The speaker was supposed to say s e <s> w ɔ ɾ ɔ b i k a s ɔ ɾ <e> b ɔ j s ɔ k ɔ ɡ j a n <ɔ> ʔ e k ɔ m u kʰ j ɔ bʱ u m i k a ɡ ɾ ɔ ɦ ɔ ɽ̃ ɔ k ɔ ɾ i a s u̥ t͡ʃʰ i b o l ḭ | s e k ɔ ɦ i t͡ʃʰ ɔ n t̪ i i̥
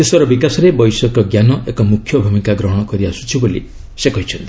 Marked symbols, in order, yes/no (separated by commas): yes, yes, yes